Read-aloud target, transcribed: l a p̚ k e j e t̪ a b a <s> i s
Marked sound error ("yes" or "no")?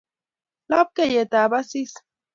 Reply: no